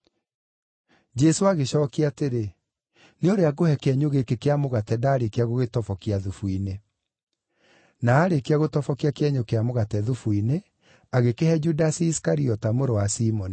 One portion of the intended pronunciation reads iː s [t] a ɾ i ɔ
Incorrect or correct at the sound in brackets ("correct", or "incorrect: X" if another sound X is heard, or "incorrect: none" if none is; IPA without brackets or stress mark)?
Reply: incorrect: k